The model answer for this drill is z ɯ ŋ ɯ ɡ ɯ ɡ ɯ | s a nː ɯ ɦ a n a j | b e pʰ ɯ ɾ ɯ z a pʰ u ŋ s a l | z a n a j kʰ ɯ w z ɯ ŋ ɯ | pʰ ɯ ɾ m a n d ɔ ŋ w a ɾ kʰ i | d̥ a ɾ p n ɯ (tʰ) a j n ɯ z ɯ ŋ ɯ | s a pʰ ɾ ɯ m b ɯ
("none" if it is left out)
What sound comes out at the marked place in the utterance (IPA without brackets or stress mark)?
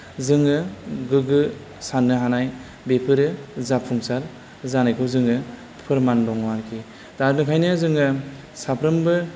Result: kʰ